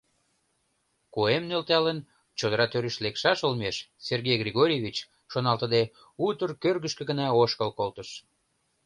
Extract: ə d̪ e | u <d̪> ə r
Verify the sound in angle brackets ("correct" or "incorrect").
incorrect